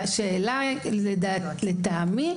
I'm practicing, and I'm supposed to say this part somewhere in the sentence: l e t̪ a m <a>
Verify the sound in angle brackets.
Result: incorrect: i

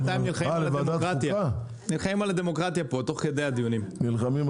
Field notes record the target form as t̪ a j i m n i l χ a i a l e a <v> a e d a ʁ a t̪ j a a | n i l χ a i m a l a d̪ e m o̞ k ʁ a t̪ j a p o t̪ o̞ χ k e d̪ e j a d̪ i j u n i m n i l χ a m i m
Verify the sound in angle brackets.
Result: correct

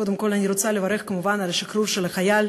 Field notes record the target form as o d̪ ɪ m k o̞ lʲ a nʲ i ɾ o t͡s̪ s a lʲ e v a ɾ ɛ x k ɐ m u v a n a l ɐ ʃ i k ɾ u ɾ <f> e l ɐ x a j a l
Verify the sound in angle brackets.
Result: incorrect: ʃ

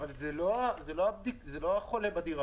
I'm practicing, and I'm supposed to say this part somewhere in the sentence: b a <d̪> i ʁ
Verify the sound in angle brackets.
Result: correct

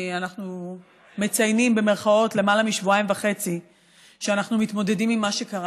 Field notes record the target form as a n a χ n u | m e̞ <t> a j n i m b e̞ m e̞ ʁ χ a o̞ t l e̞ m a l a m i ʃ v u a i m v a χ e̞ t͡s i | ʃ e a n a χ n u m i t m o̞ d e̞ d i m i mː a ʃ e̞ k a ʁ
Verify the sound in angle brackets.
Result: incorrect: t͡s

